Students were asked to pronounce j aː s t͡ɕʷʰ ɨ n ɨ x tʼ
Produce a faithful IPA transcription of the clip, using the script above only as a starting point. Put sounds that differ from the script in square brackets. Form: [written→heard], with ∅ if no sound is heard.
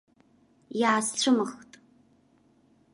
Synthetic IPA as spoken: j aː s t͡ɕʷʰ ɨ [n→m] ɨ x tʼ